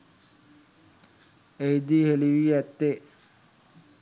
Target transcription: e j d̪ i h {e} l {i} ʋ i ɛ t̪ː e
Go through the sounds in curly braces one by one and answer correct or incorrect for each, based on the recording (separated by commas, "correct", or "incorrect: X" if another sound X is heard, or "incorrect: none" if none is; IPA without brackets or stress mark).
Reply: correct, correct